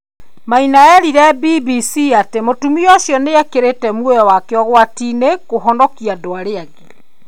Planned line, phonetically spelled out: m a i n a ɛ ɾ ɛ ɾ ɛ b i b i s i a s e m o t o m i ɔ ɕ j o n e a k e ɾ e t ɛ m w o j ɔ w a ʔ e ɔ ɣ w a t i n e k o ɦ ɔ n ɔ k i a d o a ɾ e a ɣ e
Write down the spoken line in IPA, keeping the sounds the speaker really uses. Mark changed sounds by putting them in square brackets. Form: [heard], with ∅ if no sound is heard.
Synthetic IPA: m a i n a ɛ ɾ [i] ɾ ɛ b i b i s i a [t] e m o t [u] m i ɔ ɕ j [ɔ] n e a k e ɾ e t ɛ m w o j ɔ w a [k] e ɔ ɣ w a t i n e k o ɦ ɔ n ɔ k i a d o a ɾ e a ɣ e